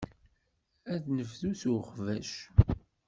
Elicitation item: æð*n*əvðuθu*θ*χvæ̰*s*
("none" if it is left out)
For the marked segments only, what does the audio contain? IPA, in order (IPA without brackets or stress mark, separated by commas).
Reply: n, none, ʃ